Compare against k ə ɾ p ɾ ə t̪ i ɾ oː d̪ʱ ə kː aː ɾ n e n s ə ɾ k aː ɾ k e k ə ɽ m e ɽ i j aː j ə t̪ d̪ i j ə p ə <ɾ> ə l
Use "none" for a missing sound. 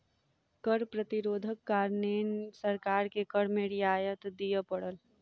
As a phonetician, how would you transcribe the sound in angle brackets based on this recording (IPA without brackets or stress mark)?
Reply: ɽ